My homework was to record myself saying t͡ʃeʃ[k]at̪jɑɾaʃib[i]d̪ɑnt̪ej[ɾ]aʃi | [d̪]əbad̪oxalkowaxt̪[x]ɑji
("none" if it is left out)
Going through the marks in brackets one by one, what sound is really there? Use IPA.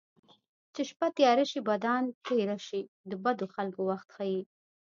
p, a, ɾ, d̪, x

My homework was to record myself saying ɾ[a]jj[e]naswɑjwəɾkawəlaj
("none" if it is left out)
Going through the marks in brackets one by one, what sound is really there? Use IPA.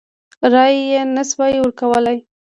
ɑ, e

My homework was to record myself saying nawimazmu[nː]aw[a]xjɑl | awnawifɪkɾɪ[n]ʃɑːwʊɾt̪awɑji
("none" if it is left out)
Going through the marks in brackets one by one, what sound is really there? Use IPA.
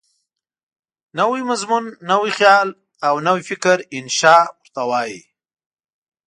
nː, i, n

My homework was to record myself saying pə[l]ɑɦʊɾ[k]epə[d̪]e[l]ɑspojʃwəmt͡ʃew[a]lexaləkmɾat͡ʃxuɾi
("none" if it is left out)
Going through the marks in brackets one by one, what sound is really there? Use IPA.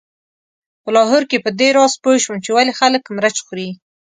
l, k, d̪, ɾ, a

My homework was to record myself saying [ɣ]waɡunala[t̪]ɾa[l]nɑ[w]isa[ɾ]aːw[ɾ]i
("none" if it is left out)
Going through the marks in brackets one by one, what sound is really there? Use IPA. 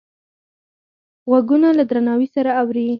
ɣ, d̪, none, w, ɾ, ɾ

